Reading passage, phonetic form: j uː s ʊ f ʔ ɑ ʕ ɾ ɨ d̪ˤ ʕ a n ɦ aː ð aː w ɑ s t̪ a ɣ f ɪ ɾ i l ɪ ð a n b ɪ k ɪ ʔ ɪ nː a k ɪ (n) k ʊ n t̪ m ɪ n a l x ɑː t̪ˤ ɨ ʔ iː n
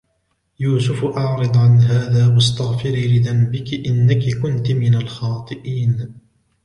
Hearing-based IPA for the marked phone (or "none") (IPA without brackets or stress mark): none